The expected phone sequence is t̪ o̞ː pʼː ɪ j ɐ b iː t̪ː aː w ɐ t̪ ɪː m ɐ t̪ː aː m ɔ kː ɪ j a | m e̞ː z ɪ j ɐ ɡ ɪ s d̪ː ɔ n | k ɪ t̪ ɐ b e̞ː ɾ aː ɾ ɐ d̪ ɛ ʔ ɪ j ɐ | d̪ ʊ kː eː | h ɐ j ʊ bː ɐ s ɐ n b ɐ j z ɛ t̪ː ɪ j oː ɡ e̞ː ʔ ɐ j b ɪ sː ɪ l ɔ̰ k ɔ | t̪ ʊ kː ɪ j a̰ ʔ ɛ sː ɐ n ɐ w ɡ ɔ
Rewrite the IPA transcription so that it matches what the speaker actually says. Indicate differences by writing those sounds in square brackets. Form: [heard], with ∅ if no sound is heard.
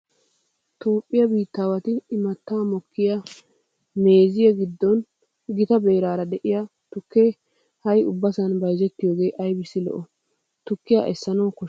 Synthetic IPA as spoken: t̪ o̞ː pʼː ɪ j ɐ b iː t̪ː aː w ɐ t̪ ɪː m ɐ t̪ː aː m ɔ kː ɪ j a | m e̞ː z ɪ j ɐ ɡ ɪ [∅] d̪ː ɔ n | [ɡ] ɪ t̪ ɐ b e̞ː ɾ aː ɾ ɐ d̪ ɛ ʔ ɪ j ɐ | [t̪] ʊ kː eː | h ɐ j ʊ bː ɐ s ɐ n b ɐ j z ɛ t̪ː ɪ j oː ɡ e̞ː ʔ ɐ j b ɪ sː ɪ l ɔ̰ [ʔ] ɔ | t̪ ʊ kː ɪ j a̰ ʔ ɛ sː ɐ n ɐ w [k] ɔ